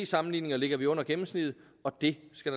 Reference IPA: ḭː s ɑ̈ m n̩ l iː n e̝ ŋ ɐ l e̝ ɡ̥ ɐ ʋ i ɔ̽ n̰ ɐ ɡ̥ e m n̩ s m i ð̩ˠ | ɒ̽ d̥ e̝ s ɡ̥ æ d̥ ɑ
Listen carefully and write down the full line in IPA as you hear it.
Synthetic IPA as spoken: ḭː s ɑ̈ m n̩ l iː n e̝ ŋ ɐ l e̝ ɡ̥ ɐ ʋ i ɔ̽ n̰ ɐ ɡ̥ e m m̩ s n i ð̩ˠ | ɒ̽ d̥ e̝ s ɡ̥ æ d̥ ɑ